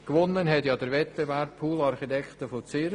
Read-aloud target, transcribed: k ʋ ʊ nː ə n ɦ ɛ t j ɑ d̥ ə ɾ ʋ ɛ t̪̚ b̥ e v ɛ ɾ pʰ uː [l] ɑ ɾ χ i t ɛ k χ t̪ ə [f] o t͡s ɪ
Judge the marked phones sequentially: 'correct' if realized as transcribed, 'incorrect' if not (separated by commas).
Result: correct, correct